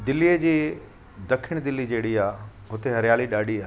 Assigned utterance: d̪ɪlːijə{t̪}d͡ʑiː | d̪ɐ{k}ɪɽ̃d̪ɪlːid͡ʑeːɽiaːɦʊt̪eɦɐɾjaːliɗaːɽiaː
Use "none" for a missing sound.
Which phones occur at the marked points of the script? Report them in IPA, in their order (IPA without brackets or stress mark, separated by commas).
none, kʰ